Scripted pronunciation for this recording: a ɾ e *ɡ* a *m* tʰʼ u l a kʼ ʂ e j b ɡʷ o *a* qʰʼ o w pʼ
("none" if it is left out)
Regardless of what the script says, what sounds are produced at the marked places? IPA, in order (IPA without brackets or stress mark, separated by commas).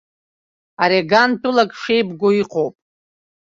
ɡ, n, i